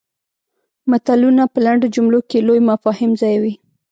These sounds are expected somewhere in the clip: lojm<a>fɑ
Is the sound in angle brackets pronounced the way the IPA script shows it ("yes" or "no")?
yes